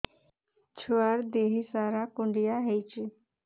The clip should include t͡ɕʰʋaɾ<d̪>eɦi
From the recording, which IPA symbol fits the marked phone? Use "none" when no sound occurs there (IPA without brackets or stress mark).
d̪